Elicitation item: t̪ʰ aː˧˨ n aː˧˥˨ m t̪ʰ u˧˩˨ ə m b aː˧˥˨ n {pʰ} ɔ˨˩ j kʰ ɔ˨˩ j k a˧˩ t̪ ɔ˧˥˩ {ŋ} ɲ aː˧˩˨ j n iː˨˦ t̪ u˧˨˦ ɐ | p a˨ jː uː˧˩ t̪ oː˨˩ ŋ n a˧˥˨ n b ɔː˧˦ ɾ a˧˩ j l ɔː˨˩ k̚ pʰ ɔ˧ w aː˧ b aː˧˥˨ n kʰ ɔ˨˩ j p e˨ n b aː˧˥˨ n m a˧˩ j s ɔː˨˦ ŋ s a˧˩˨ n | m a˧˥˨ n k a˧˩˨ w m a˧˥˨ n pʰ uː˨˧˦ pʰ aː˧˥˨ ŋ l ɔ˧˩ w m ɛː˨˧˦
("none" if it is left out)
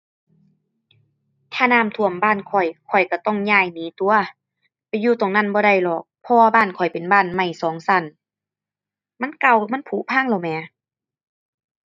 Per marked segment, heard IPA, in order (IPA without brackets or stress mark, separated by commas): kʰ, ŋ